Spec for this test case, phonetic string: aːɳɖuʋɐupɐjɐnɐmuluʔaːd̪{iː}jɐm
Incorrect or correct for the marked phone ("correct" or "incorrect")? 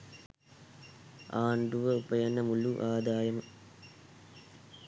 incorrect